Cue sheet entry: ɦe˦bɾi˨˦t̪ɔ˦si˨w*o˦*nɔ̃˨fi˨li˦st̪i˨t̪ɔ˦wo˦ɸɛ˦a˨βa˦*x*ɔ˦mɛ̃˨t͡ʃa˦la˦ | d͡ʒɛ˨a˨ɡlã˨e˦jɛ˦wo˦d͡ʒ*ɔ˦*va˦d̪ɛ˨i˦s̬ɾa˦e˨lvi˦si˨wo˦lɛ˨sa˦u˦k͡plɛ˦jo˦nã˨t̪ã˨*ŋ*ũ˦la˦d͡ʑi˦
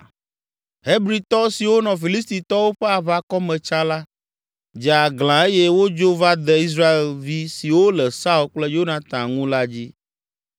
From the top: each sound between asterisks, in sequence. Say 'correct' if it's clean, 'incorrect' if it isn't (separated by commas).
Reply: correct, incorrect, incorrect, correct